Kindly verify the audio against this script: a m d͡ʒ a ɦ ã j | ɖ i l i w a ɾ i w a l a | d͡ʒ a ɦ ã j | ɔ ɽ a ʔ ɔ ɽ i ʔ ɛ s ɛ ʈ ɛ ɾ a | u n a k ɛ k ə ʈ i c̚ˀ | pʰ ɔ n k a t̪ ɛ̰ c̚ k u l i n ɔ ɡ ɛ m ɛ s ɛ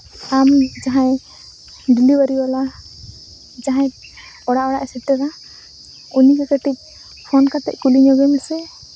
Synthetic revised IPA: a m d͡ʒ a ɦ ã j | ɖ i l i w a ɾ i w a l a | d͡ʒ a ɦ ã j | ɔ ɽ a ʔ ɔ ɽ a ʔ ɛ s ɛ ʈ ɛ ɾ a | u n i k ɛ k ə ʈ i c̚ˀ | pʰ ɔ n k a t̪ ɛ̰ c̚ k u l i ɲ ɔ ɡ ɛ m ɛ s ɛ